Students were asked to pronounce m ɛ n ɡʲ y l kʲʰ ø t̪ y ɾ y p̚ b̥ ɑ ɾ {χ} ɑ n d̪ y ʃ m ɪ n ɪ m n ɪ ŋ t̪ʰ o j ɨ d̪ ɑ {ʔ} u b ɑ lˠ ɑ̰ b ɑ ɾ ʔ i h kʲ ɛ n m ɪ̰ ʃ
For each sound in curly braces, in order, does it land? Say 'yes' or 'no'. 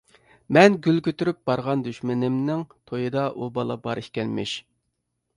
no, yes

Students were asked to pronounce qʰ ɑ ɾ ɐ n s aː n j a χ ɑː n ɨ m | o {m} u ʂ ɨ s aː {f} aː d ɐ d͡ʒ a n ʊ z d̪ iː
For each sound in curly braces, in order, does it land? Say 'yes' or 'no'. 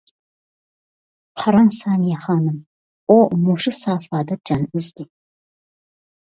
yes, yes

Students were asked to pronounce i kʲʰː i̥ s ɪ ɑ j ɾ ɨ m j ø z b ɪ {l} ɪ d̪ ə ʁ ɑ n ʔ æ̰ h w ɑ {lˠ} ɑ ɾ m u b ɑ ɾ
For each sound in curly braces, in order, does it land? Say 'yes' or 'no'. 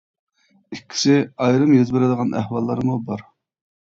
no, no

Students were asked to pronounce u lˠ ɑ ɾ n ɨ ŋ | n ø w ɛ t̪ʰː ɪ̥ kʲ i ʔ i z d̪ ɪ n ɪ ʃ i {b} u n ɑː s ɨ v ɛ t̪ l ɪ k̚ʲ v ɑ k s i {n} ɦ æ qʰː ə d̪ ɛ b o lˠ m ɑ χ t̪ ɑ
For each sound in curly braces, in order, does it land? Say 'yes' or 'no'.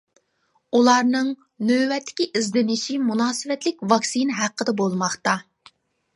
no, yes

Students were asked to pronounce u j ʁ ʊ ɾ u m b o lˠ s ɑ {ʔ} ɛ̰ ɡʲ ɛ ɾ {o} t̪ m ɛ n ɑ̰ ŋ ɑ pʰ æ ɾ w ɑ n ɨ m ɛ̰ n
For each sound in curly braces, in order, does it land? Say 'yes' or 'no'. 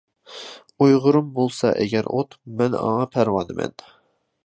yes, yes

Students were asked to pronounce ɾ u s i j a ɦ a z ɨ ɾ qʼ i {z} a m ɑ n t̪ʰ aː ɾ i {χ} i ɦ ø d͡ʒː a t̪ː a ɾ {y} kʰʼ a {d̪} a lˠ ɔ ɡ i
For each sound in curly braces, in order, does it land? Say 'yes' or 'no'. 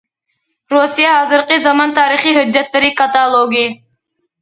yes, yes, no, no

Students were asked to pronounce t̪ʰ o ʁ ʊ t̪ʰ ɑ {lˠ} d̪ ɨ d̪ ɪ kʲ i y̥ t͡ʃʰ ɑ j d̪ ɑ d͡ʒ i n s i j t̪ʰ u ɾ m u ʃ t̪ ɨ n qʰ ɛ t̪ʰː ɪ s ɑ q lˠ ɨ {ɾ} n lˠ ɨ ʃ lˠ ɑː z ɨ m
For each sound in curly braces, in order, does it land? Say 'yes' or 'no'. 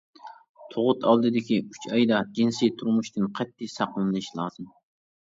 yes, no

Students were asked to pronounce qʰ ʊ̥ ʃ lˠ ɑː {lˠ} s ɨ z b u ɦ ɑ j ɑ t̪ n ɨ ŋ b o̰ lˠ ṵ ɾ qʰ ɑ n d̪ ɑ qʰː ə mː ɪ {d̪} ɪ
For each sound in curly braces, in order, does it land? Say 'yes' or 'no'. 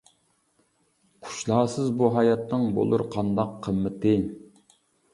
no, no

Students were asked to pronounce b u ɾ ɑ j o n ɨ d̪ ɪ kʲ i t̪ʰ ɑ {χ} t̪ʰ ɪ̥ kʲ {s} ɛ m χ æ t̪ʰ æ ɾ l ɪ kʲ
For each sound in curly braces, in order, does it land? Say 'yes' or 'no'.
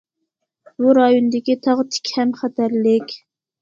no, no

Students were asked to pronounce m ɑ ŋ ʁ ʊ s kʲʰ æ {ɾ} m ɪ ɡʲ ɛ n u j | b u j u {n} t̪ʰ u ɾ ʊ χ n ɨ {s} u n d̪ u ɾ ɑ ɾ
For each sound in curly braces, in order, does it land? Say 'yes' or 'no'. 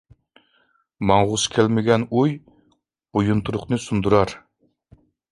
no, yes, yes

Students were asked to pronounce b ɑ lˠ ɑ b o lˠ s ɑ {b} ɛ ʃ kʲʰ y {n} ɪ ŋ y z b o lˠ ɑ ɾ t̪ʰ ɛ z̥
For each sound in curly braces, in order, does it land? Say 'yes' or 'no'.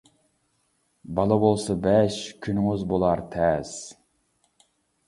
yes, yes

